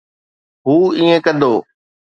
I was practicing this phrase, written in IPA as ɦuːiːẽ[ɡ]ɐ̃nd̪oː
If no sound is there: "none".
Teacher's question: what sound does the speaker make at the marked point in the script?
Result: k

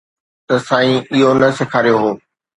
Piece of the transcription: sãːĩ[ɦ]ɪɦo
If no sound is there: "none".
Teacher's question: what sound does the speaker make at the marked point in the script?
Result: none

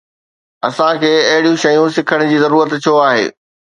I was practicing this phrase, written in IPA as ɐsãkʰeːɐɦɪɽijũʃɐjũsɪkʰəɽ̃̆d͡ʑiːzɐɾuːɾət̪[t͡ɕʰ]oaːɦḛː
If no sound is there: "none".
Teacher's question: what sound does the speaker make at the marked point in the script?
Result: t͡ɕʰ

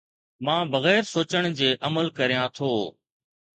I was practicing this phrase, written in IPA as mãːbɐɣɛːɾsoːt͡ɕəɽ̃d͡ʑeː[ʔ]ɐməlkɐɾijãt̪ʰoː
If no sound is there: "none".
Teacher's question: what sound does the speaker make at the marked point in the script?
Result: ʔ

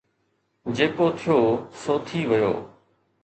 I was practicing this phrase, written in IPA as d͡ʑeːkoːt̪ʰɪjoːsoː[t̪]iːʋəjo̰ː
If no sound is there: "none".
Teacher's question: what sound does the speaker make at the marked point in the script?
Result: t̪ʰ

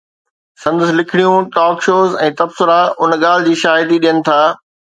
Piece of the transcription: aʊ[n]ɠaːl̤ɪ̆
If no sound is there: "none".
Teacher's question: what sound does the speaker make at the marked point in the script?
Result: n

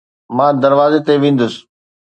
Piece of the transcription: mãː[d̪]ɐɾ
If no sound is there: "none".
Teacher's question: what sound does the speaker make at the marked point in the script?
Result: d̪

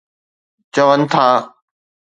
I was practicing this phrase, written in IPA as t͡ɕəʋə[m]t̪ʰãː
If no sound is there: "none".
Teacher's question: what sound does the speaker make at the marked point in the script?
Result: n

